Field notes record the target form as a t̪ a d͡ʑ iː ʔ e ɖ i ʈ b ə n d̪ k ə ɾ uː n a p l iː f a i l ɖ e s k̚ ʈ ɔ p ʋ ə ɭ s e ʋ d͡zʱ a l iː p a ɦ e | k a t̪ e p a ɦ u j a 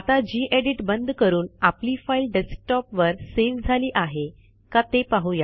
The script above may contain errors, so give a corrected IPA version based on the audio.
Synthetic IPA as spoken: a t̪ a d͡ʑ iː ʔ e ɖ i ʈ b ə n d̪ k ə ɾ uː n a p l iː f a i l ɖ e s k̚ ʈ ɔ p ʋ ə ɾ s e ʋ d͡zʱ a l iː ʔ a ɦ e | k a t̪ e p a ɦ u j a